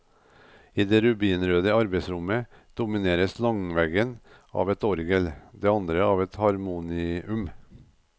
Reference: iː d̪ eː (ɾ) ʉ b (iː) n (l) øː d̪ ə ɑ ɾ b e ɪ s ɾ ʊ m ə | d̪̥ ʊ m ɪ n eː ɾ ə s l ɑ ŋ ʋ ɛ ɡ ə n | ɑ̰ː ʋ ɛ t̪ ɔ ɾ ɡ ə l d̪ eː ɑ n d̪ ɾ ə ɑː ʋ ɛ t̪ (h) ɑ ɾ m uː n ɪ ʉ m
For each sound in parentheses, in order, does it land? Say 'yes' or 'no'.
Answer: yes, yes, no, yes

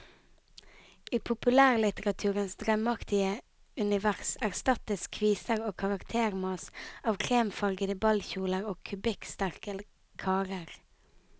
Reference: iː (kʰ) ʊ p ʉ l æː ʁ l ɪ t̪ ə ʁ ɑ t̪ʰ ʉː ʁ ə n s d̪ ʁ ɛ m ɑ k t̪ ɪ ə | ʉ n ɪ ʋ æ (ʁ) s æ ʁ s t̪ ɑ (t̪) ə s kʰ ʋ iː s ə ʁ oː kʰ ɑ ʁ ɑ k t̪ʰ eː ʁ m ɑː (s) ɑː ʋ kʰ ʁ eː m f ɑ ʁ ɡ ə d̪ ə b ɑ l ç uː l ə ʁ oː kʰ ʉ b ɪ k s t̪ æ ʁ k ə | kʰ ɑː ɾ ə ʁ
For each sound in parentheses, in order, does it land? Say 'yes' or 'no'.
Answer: no, yes, yes, yes

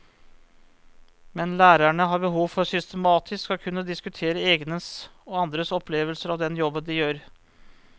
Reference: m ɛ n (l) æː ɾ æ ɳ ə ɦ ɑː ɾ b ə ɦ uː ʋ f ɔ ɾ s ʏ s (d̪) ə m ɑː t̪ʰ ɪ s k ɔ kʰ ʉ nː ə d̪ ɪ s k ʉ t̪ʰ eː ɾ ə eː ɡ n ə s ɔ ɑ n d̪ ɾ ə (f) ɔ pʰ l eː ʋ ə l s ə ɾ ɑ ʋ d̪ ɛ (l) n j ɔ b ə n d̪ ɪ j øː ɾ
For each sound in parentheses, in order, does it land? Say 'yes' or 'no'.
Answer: yes, no, no, no

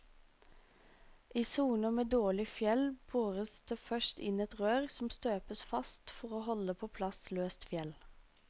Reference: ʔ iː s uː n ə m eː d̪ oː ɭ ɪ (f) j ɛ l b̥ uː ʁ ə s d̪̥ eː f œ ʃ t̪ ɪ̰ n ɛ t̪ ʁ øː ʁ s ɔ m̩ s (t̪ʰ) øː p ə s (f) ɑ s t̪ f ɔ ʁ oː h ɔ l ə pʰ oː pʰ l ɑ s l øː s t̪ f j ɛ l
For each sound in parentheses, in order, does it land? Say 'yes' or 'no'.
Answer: yes, no, yes

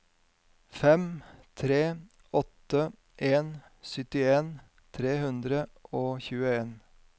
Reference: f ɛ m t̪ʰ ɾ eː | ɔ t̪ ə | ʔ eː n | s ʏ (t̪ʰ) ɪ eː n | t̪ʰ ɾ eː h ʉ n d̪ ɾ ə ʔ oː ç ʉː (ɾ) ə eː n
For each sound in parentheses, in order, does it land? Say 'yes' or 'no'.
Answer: no, no

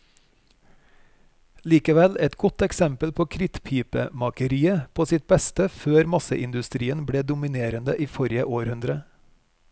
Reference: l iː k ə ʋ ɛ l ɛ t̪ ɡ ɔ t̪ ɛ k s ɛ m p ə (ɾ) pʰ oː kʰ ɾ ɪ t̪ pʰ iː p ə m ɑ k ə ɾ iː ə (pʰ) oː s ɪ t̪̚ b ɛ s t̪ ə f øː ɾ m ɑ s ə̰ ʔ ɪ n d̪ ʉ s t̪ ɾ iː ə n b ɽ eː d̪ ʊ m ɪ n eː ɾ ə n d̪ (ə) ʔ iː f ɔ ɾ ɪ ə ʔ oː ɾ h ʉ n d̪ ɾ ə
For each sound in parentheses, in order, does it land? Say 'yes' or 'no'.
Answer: no, yes, yes

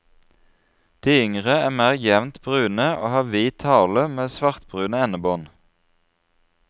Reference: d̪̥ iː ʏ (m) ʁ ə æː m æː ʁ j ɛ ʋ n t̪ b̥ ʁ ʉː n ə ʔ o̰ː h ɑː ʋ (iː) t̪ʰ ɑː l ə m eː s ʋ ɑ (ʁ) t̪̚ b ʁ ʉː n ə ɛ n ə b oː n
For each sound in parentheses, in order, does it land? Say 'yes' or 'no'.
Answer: no, yes, yes

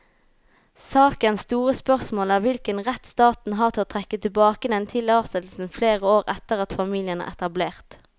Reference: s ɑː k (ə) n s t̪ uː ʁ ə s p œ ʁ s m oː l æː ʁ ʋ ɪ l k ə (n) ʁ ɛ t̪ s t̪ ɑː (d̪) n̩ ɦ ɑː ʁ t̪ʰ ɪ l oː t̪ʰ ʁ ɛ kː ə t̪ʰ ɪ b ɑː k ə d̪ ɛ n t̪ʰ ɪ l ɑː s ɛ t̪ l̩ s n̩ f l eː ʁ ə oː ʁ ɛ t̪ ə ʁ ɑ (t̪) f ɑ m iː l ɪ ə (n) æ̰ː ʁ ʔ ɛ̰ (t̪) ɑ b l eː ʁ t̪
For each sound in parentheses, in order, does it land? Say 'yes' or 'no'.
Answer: yes, yes, no, yes, yes, yes

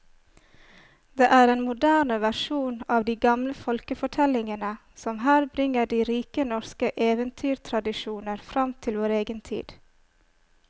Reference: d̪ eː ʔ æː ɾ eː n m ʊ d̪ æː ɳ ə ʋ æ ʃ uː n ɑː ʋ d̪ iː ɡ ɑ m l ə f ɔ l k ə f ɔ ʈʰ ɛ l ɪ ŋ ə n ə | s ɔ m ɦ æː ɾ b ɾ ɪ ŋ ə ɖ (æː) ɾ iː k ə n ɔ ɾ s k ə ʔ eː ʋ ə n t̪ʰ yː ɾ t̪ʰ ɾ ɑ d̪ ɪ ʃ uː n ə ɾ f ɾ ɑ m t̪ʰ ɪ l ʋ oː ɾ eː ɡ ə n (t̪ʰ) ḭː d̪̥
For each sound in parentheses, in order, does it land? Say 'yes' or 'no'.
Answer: no, yes

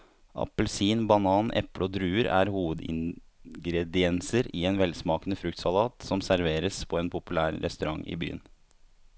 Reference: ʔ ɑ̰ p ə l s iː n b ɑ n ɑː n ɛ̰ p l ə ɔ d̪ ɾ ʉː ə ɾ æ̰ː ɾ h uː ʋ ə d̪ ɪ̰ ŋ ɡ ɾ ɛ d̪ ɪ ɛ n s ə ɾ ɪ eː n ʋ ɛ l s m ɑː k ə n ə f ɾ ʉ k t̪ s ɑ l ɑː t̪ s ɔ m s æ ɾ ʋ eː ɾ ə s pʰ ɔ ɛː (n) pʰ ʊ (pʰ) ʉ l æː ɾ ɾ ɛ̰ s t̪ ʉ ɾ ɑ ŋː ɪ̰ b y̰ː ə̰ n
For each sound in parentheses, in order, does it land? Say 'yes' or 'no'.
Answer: yes, no

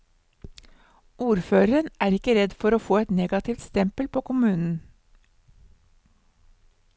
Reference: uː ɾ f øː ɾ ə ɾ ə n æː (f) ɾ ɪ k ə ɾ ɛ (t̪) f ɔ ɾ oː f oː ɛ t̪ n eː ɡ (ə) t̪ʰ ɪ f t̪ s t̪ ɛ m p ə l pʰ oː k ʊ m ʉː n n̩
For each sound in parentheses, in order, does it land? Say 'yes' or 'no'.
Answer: no, no, no

